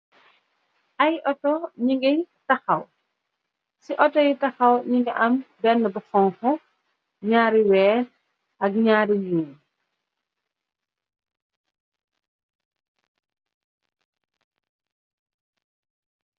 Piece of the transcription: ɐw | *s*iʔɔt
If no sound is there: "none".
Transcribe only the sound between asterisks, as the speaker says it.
s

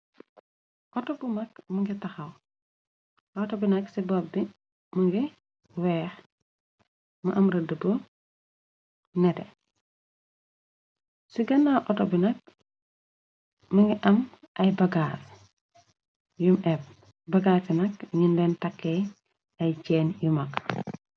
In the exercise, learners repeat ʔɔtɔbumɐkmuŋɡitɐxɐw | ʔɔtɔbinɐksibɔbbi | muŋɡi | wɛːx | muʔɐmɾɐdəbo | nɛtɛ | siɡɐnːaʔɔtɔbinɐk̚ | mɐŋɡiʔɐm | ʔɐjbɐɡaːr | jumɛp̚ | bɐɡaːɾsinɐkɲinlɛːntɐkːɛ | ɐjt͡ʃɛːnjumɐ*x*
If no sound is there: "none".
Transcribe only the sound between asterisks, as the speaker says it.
k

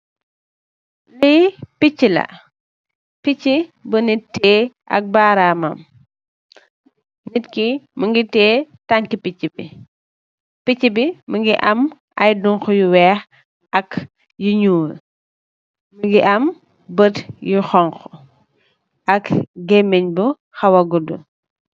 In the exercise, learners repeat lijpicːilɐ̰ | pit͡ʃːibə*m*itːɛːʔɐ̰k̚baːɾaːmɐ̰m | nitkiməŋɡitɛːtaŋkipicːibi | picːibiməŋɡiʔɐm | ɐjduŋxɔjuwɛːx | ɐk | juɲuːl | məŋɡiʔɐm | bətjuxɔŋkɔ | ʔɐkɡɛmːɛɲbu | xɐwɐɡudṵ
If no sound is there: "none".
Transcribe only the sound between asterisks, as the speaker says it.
n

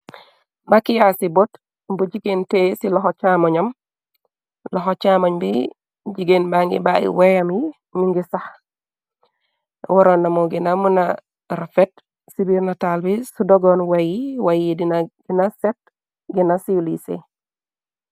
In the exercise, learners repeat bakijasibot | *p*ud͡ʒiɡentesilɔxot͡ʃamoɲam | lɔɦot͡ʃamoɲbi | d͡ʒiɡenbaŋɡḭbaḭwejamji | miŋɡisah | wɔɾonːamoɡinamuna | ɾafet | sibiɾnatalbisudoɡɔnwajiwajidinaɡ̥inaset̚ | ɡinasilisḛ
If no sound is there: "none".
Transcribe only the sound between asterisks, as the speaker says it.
b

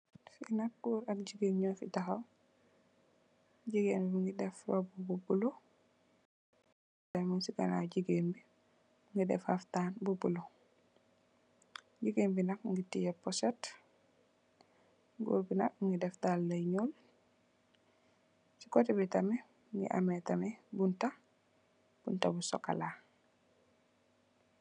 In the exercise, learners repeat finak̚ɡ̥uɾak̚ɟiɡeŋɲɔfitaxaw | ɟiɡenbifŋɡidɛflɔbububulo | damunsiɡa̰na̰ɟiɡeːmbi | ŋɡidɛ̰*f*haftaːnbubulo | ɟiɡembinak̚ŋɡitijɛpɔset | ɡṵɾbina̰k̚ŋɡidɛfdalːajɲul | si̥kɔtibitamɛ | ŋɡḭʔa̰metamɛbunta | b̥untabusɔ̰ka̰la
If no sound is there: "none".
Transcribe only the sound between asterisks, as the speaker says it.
f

